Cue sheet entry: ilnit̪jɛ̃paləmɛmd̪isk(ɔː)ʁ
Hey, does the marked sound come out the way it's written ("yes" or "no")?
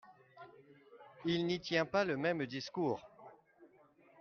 no